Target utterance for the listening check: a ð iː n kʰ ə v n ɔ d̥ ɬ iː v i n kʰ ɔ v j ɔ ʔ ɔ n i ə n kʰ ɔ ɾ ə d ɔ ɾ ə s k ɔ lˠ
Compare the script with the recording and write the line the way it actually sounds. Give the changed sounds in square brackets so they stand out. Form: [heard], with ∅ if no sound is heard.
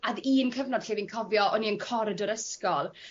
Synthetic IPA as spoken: a ð iː n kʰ ə v n ɔ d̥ ɬ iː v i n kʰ ɔ v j ɔ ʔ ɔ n i ə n kʰ ɔ ɾ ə d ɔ ɾ ə s k ɔ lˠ